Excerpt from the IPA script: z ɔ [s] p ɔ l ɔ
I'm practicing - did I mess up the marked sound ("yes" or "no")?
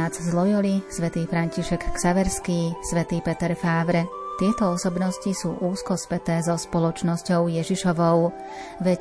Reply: no